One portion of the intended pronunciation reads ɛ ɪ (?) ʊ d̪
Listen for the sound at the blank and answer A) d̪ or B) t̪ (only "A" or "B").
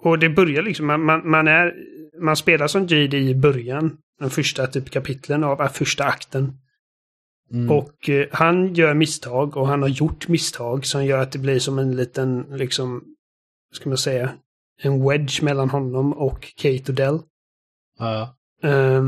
B